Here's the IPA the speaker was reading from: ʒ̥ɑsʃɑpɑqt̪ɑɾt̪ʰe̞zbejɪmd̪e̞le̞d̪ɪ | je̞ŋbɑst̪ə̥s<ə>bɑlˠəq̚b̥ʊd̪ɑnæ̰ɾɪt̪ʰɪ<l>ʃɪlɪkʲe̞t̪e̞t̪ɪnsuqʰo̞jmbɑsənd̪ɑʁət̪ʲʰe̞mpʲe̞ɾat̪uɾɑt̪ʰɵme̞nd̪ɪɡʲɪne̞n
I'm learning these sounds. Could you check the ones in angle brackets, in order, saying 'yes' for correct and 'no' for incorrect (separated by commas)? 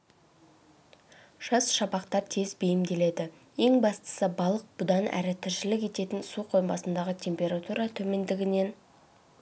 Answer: yes, no